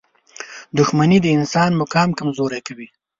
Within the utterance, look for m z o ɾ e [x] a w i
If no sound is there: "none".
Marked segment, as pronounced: k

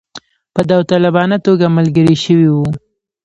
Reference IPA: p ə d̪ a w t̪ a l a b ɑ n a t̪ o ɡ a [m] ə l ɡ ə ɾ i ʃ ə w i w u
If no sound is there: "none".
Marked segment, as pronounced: m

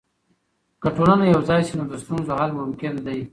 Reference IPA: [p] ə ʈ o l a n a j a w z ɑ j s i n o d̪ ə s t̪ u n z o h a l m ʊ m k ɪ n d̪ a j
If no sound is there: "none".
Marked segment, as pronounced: k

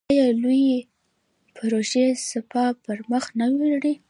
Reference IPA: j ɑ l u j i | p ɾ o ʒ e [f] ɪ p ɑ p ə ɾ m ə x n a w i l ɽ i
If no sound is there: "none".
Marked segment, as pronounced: s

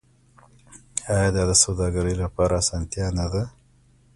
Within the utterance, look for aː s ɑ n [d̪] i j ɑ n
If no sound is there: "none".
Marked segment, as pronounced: t̪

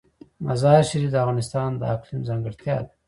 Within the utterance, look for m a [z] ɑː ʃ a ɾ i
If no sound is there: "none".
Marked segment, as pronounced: z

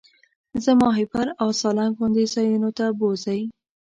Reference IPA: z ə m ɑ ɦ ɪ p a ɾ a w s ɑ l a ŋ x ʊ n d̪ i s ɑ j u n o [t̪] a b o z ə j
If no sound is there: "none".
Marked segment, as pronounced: t̪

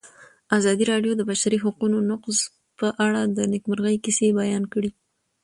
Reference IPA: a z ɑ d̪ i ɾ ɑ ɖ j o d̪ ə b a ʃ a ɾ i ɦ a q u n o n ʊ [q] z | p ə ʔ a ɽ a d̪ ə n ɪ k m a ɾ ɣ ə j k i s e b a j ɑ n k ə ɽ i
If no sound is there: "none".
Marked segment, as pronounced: q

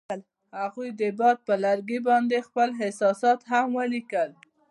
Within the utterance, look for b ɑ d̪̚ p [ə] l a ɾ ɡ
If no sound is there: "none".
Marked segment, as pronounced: ə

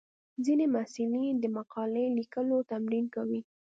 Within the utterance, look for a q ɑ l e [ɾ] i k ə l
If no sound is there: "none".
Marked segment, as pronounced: l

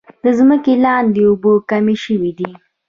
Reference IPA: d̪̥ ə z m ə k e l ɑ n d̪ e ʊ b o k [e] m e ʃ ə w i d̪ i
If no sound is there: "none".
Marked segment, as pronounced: a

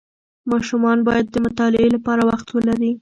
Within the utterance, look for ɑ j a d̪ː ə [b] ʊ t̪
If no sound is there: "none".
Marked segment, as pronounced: m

